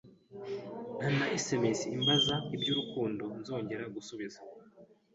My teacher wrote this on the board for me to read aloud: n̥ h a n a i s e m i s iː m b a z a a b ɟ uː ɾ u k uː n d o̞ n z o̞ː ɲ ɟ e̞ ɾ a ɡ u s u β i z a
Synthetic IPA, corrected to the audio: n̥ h a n a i s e m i s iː m b a z a i b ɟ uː ɾ u k uː n d o̞ n z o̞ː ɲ ɟ e̞ ɾ a ɡ u s u β i z a